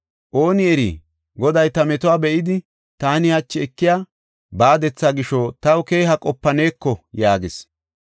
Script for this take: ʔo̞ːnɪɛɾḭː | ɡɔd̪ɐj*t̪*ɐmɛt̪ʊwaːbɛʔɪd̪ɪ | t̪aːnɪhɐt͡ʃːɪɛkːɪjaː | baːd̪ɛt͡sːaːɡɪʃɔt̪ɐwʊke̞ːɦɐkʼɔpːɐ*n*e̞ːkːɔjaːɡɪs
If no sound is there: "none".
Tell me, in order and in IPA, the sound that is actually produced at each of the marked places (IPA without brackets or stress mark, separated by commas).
t̪, n